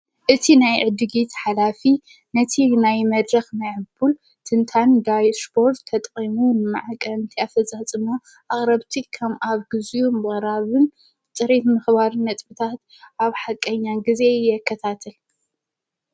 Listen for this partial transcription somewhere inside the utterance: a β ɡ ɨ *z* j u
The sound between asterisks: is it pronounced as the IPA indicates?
yes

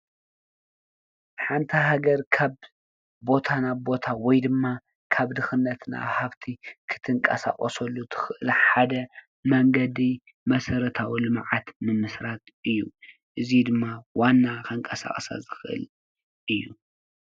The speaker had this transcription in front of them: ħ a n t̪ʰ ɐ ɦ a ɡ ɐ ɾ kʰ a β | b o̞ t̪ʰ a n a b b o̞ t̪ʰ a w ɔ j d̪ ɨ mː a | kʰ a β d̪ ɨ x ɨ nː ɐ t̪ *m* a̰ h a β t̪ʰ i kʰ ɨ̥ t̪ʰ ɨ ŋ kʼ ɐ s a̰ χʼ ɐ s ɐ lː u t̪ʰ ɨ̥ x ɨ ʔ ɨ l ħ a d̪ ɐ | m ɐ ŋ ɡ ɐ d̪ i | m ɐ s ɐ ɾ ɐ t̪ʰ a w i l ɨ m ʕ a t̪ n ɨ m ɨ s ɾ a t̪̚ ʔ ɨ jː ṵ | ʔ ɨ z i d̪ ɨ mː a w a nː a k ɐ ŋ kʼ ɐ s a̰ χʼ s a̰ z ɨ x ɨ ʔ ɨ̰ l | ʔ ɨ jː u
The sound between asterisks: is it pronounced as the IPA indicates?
no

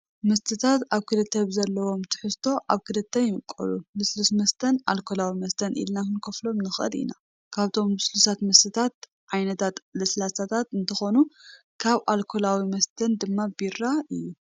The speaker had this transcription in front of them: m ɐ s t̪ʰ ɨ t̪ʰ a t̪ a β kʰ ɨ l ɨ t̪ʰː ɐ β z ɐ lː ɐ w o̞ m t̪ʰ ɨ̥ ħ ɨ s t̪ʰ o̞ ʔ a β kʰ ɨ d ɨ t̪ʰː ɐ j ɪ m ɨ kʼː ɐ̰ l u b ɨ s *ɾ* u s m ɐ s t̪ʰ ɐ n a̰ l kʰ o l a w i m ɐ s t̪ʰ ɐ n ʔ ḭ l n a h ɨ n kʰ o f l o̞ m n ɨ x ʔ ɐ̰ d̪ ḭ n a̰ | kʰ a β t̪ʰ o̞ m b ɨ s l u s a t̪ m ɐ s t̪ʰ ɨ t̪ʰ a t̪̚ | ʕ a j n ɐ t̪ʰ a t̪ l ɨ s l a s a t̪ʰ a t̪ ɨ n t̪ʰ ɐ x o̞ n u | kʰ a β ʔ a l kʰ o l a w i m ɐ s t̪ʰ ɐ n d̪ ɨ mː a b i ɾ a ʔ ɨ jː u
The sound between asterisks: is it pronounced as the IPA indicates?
no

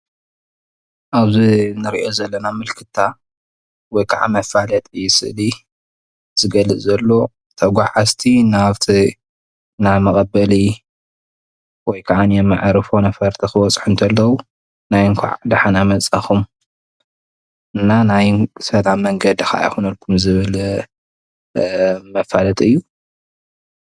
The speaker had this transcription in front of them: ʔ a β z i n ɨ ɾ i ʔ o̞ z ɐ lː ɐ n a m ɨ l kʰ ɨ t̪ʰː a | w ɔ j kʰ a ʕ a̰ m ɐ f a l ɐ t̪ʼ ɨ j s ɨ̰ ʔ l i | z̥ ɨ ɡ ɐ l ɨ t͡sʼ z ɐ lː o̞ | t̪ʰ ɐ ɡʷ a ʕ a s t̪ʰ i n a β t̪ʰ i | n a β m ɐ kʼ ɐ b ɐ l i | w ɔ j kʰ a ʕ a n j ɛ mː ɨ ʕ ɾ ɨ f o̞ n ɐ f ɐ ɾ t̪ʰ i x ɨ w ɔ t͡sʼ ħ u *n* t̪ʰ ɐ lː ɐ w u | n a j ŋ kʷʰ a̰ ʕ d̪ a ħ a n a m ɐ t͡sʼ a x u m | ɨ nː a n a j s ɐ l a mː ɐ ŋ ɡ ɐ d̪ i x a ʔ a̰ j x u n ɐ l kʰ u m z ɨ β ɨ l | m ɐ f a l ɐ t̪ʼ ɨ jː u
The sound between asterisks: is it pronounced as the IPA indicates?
yes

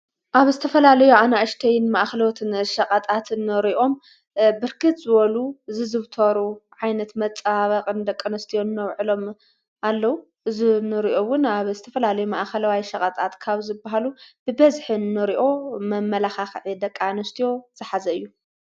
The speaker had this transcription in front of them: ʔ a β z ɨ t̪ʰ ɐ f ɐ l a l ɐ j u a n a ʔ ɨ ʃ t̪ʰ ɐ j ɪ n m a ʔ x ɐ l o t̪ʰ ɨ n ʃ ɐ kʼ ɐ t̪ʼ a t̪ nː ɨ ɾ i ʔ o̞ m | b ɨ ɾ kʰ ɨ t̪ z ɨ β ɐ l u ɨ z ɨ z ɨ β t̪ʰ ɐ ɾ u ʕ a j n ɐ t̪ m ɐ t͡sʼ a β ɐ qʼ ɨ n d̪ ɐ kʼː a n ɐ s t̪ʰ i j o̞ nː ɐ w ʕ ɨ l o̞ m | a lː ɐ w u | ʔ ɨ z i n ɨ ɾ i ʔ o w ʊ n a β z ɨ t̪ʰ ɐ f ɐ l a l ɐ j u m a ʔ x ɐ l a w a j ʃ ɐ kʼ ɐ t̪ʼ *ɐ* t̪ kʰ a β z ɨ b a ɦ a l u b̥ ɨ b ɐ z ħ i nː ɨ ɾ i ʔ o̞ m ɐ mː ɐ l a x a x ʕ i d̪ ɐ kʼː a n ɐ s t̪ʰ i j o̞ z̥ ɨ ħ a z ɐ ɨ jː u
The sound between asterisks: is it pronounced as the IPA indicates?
no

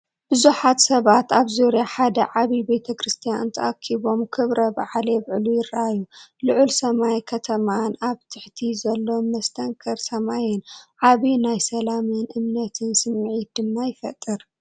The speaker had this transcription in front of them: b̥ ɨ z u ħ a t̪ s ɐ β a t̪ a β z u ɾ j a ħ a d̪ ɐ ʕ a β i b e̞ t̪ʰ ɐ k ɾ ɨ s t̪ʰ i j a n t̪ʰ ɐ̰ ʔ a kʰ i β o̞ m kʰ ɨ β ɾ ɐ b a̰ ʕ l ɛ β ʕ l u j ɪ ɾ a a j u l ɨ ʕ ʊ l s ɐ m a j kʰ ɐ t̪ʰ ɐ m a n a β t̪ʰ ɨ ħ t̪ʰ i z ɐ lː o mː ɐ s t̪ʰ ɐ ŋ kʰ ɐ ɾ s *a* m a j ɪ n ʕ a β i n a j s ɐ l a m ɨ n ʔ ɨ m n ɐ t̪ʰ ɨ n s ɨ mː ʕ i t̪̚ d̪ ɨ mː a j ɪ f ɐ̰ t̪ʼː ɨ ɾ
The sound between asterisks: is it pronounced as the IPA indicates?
no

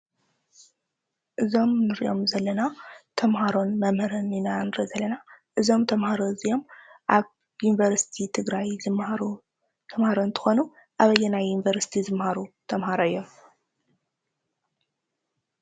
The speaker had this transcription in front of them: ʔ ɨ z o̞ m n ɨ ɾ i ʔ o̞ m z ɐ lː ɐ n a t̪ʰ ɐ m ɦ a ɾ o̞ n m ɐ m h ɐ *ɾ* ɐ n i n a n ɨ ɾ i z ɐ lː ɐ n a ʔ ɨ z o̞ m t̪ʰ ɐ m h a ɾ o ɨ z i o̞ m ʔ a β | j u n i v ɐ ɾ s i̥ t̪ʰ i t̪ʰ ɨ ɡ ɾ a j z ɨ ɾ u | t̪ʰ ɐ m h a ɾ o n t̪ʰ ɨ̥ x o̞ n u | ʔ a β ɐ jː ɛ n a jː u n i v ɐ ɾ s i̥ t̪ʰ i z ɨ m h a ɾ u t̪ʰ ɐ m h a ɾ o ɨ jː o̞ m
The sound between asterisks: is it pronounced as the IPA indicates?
yes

